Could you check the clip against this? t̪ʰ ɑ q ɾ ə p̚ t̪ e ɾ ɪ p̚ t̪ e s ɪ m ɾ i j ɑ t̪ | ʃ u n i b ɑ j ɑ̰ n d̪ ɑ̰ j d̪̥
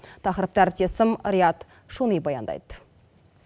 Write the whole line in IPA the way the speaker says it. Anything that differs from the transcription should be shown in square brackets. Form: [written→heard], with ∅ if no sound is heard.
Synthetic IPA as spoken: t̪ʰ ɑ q ɾ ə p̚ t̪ [e→æ] ɾ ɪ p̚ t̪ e s ɪ m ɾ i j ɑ t̪ | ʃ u n i b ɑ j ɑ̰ n d̪ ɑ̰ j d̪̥